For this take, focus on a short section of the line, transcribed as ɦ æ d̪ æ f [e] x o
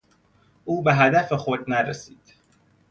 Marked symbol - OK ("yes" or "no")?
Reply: yes